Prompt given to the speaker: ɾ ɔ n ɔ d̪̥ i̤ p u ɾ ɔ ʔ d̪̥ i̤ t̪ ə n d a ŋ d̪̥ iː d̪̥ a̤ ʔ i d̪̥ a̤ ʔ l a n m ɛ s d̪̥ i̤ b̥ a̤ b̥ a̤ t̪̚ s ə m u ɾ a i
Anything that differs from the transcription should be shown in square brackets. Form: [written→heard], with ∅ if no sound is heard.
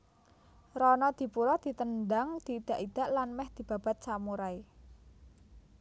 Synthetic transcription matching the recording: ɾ ɔ n ɔ d̪̥ i̤ p u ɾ ɔ [ʔ→∅] d̪̥ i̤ t̪ ə n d a ŋ d̪̥ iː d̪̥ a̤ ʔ i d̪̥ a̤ ʔ l a n m ɛ [s→h] d̪̥ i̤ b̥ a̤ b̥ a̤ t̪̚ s [ə→a] m u ɾ a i